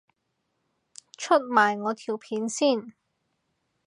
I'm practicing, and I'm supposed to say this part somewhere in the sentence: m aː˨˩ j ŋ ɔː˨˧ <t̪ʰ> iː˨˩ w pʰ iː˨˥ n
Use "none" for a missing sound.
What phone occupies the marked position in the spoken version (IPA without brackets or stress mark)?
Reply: t̪ʰ